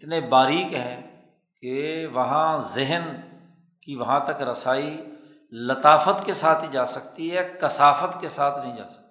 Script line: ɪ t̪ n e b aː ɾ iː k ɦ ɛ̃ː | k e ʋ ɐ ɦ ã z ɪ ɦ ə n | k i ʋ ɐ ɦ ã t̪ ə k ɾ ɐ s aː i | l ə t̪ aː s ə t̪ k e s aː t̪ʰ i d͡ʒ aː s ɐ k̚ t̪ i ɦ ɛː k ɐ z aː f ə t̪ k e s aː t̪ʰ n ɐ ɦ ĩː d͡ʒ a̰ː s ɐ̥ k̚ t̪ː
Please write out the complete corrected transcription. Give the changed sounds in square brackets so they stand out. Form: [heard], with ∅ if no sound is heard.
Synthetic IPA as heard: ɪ t̪ n e b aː ɾ iː k ɦ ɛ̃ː | k e ʋ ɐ ɦ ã z ɪ ɦ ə n | k i ʋ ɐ ɦ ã t̪ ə k ɾ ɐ s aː i | l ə t̪ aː [f] ə t̪ k e s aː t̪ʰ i d͡ʒ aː s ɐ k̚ t̪ i ɦ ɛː k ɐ [s] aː f ə t̪ k e s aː t̪ʰ n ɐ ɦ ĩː d͡ʒ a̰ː s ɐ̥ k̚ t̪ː